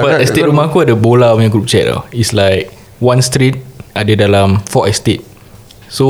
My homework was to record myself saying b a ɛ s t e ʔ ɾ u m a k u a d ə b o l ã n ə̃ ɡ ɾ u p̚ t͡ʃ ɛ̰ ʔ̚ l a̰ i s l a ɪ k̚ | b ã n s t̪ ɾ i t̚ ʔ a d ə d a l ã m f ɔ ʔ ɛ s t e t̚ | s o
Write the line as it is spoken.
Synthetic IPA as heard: b a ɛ s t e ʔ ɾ u m a k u a d ə b o l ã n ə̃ ɡ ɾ u p̚ t͡ʃ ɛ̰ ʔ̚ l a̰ i s l a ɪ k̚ | w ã n s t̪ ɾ i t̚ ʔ a d ə d a l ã m f ɔ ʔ ɛ s t e t̚ | s o